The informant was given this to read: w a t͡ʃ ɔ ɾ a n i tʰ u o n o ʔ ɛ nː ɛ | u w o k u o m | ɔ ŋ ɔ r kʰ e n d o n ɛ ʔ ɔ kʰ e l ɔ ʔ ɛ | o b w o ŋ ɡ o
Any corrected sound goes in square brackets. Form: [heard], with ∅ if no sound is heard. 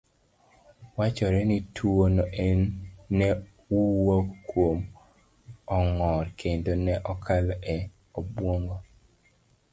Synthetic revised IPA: w a t͡ʃ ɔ ɾ [ɛ] n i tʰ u o n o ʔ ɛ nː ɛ | u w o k [w] o m | ɔ ŋ ɔ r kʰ e n d o n ɛ ʔ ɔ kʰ [a] l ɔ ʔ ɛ | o b w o ŋ ɡ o